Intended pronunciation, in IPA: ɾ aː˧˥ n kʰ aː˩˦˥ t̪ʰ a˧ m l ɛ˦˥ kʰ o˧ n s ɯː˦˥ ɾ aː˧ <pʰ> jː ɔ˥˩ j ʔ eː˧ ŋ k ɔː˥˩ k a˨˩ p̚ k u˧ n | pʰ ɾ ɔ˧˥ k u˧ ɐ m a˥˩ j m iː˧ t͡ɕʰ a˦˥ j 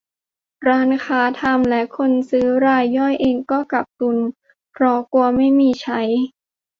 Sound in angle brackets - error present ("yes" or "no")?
yes